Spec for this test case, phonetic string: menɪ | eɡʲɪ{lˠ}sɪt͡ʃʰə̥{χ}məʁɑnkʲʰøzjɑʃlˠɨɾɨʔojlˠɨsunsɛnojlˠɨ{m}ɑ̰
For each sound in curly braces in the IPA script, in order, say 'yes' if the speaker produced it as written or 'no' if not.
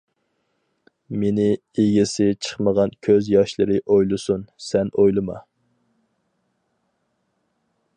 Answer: no, yes, yes

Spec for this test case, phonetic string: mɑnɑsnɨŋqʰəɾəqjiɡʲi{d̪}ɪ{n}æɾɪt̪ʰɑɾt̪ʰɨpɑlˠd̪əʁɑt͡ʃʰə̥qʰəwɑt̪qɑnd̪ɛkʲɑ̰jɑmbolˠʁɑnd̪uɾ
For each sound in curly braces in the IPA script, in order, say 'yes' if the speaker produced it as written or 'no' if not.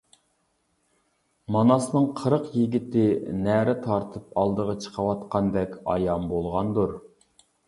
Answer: no, yes

